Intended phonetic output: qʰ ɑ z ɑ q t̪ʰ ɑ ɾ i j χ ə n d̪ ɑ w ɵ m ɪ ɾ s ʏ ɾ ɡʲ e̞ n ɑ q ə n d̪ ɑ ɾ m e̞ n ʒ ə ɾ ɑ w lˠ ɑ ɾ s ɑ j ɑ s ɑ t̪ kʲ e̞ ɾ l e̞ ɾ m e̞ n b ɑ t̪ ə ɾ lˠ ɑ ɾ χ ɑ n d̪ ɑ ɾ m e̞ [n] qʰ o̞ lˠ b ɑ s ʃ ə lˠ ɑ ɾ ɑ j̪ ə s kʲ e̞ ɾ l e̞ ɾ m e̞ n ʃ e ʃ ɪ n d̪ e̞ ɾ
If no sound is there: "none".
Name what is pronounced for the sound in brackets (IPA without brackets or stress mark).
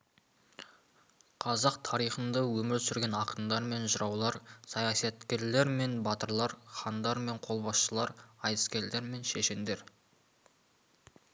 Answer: ɴ